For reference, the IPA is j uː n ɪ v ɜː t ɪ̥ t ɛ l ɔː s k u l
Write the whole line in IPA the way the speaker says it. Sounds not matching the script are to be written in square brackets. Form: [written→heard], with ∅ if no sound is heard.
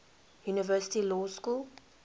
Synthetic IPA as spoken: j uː n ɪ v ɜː [t→s] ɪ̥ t [ɛ→i] l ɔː s k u l